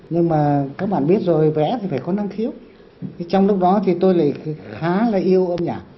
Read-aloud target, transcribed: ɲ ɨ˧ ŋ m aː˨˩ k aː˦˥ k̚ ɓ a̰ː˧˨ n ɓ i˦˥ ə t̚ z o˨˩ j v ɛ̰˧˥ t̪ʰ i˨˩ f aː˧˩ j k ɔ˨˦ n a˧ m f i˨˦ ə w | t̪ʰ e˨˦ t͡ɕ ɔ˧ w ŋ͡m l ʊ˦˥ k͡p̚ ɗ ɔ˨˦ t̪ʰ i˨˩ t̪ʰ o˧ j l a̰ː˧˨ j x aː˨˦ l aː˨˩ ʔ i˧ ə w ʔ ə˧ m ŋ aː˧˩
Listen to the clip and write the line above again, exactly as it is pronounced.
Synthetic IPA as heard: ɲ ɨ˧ ŋ m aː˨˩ k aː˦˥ k̚ ɓ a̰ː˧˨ n ɓ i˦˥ ə t̚ z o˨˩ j v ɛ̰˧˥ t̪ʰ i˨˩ f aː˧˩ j k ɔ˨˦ n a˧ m x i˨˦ ə w | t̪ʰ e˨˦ t͡ɕ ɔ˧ w ŋ͡m l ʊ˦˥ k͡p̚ ɗ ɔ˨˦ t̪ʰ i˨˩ t̪ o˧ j l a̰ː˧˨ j x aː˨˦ l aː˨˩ ʔ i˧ ə w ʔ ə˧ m ɲ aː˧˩